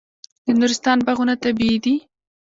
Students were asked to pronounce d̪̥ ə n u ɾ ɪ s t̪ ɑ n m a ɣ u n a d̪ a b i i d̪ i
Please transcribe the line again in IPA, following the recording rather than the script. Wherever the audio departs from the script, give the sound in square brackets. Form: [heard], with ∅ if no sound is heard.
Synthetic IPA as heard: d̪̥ ə n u ɾ ɪ s t̪ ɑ n [b] a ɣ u n a [t̪] a b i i d̪ i